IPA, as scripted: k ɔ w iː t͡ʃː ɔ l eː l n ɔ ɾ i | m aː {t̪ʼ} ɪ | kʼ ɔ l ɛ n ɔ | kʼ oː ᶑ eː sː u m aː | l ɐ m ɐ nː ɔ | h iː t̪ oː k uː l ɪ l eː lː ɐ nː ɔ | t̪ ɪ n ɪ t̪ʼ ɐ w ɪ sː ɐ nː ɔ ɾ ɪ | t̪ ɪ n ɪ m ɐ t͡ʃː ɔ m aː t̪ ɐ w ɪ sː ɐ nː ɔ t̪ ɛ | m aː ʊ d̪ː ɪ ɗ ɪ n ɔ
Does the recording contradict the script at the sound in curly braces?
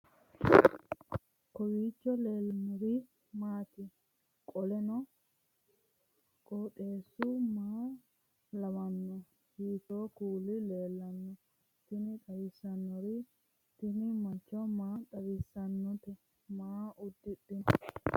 yes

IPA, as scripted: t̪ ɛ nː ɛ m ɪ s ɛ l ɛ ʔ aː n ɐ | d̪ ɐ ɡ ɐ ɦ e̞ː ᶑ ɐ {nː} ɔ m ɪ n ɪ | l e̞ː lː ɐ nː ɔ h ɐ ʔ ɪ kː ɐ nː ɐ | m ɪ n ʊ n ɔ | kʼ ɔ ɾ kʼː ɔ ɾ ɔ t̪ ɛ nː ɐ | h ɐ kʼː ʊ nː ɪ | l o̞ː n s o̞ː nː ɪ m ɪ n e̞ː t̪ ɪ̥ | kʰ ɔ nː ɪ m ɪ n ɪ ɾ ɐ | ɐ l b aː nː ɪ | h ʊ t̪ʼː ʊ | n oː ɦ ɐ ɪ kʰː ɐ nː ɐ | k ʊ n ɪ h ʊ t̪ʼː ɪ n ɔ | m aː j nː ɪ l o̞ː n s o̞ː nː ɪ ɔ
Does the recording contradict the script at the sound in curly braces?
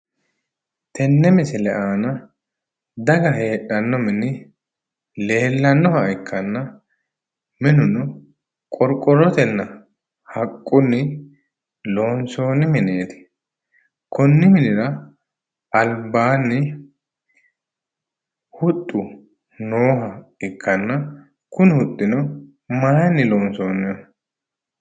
no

